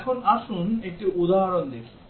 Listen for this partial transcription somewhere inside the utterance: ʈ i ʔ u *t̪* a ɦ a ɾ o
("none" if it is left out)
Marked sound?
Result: d̪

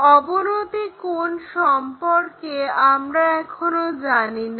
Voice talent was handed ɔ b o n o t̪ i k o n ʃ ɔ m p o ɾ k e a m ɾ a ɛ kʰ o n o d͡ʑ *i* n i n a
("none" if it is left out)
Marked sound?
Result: a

